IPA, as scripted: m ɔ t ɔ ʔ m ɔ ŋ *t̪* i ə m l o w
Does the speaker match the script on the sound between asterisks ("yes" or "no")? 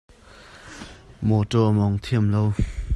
no